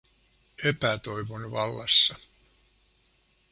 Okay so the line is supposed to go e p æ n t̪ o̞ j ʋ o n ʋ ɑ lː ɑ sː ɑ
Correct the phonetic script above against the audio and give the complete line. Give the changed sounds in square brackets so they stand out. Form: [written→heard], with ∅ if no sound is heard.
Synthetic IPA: e p æ [n→∅] t̪ o̞ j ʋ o n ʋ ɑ lː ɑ sː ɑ